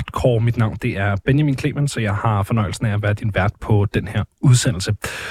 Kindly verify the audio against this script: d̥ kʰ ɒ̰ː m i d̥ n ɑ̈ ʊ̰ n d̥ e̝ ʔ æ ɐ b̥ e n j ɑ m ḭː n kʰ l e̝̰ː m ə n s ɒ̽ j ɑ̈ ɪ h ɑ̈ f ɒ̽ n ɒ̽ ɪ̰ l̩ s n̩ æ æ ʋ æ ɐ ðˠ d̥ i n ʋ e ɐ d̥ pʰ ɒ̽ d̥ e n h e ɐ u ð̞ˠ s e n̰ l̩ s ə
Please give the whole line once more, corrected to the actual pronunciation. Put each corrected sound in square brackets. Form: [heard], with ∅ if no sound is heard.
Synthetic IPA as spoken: d̥ kʰ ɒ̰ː m i d̥ n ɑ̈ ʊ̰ n d̥ e̝ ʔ æ ɐ b̥ e n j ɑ m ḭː n kʰ l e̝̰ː m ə n s ɒ̽ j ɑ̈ ɪ h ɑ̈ f ɒ̽ n ɒ̽ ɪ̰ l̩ s n̩ æ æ ʋ æ ɐ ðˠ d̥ i n ʋ [æ] ɐ d̥ pʰ ɒ̽ d̥ e n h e ɐ u ð̞ˠ s e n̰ l̩ s ə